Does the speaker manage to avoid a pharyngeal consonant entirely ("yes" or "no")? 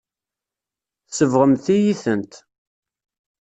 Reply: yes